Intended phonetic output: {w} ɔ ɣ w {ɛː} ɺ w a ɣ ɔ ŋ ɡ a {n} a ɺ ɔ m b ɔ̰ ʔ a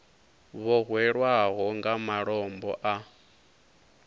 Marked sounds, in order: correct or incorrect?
incorrect: β, incorrect: ɛ, incorrect: m

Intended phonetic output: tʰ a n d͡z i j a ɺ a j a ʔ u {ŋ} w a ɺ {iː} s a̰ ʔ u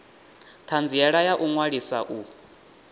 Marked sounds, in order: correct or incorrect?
correct, incorrect: i

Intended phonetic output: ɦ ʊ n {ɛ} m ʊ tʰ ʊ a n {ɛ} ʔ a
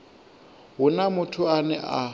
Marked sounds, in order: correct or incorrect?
incorrect: a, correct

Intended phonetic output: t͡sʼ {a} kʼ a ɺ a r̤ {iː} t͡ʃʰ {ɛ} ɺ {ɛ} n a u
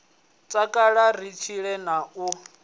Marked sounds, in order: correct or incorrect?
correct, incorrect: i, incorrect: i, correct

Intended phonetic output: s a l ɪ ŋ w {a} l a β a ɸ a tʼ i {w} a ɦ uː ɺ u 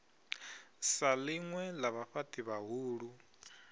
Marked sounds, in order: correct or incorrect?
incorrect: ɛ, incorrect: β

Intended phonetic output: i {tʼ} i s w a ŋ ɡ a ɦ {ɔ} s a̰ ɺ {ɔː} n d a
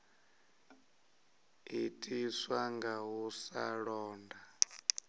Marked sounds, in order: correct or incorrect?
correct, incorrect: u, correct

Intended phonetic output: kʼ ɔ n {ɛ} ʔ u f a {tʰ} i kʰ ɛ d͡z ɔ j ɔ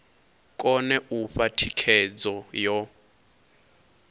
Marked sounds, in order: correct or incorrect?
correct, correct

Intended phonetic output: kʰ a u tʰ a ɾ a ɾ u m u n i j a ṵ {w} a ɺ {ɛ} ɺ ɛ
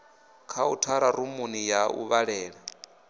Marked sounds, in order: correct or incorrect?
incorrect: β, incorrect: ɛː

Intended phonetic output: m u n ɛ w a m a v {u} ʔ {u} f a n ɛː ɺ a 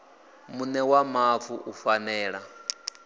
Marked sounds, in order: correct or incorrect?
correct, correct

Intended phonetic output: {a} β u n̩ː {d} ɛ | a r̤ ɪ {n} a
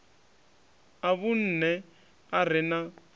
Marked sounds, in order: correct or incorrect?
correct, incorrect: n, correct

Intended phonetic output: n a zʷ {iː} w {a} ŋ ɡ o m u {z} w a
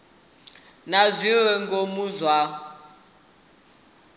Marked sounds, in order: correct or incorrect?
incorrect: i, incorrect: ɛ, correct

